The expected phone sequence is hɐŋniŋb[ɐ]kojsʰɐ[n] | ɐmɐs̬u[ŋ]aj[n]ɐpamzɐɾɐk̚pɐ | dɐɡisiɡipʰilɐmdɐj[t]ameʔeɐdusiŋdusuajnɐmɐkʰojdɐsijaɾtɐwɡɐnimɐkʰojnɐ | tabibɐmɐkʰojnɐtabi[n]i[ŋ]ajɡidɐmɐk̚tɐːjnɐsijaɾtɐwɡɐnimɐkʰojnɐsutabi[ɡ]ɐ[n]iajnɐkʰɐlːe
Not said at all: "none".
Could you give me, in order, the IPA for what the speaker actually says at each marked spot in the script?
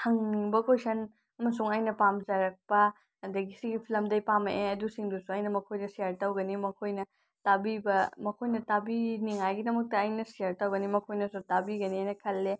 ɐ, n, ŋ, n, p, n, ŋ, ɡ, n

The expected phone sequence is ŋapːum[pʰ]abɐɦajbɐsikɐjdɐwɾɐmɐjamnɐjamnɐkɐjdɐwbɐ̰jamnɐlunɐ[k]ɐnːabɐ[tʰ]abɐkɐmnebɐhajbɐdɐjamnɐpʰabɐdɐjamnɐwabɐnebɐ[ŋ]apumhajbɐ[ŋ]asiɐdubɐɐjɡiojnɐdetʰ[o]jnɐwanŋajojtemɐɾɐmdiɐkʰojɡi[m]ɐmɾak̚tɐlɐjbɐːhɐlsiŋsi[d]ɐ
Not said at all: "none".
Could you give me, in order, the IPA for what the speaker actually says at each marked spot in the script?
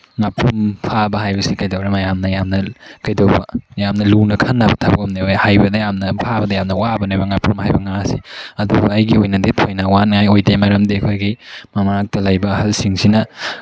pʰ, kʰ, tʰ, ŋ, ŋ, o, m, n

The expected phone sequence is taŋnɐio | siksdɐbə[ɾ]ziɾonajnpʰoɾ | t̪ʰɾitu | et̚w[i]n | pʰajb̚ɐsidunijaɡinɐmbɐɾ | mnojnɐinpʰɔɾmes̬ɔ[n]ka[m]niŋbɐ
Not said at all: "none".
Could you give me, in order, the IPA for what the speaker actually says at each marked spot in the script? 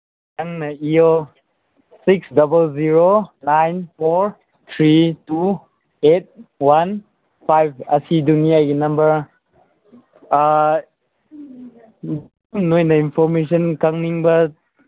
l, a, n, ŋ

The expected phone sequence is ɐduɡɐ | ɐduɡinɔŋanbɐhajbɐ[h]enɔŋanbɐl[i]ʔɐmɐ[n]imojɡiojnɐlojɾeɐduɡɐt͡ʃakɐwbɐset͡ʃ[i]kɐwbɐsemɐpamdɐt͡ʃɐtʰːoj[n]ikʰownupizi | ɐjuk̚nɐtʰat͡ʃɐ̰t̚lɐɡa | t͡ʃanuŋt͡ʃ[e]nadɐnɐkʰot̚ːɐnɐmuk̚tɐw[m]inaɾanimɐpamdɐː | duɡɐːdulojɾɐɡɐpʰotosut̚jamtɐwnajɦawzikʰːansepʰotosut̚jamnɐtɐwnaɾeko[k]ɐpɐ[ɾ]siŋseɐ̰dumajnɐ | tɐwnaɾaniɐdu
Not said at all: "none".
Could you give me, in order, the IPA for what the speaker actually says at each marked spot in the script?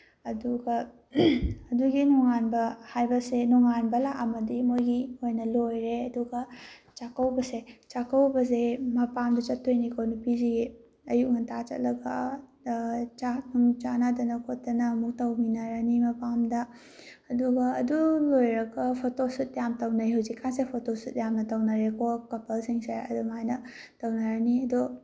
s, a, d, a, n, a, m, k, l

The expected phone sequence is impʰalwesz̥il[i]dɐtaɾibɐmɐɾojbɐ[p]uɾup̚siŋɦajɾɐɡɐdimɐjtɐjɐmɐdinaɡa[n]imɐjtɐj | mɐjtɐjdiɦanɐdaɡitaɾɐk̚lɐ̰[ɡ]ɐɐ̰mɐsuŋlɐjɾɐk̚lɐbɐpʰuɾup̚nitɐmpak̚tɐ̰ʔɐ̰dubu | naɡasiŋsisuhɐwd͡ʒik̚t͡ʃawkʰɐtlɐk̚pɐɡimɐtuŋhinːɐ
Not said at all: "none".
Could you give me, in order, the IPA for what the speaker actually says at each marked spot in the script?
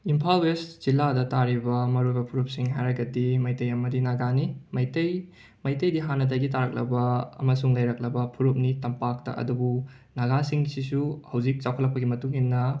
a, pʰ, n, b

